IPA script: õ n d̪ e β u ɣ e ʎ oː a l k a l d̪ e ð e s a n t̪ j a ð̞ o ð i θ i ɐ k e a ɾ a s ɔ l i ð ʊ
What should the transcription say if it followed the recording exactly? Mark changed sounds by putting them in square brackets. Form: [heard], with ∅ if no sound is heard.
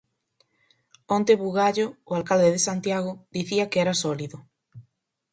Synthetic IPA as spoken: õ n [t̪] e β u ɣ [a] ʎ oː a l k a l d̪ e ð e s a n t̪ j a [ɣ̞] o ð i θ i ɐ k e [ɛ] ɾ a s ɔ l i ð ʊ